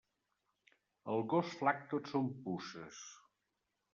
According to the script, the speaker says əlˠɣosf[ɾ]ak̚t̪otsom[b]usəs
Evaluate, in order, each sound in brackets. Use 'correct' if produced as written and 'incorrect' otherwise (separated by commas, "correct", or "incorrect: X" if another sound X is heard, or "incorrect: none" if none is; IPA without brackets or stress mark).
incorrect: l, incorrect: p